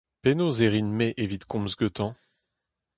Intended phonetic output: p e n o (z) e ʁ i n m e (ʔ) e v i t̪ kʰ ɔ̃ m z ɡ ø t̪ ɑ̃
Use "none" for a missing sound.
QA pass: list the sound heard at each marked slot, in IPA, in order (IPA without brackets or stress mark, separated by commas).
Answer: z, ʔ